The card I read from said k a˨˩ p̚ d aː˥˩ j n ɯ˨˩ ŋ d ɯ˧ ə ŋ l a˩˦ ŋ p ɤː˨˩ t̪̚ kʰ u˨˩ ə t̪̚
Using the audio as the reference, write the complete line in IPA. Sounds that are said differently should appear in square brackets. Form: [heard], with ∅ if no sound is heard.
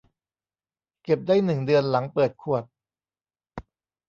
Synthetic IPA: k [e˨˩] p̚ d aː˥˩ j n ɯ˨˩ ŋ d ɯ˧ ə [n] l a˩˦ ŋ p ɤː˨˩ t̪̚ kʰ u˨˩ ə t̪̚